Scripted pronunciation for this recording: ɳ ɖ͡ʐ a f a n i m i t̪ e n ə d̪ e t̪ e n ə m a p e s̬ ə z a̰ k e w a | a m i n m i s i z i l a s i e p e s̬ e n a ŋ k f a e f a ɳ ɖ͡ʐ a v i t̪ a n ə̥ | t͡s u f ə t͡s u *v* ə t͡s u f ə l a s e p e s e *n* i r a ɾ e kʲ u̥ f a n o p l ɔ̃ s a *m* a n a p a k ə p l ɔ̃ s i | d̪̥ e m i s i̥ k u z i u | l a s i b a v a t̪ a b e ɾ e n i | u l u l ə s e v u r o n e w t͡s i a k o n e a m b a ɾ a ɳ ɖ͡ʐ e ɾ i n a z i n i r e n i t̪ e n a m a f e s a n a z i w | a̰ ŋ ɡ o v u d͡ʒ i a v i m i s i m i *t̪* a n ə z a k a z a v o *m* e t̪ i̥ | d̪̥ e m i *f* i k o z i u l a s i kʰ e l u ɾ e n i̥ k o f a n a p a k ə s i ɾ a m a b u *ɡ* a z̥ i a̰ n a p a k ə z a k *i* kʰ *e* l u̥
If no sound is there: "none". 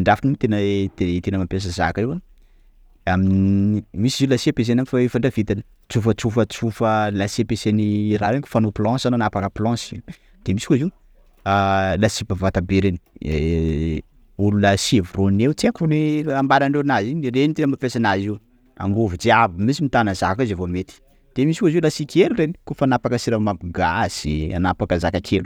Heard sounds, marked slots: f, n, n, t̪, m, s, ɡ, a, e

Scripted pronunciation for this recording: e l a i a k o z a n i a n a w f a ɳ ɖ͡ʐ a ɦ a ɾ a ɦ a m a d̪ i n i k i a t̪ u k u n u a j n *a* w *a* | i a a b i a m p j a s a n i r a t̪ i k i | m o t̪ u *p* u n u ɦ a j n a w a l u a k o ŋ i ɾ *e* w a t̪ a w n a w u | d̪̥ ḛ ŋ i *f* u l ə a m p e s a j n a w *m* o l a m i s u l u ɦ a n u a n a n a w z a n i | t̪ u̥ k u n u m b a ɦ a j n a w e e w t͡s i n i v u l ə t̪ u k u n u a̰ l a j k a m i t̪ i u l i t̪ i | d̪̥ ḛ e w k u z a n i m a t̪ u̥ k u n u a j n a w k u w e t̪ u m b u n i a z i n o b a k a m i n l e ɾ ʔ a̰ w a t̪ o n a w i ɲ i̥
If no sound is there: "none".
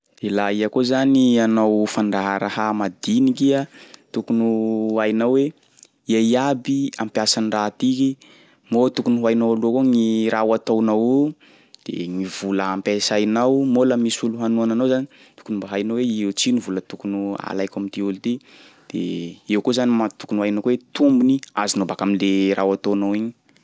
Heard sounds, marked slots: a, e, k, a, v, m

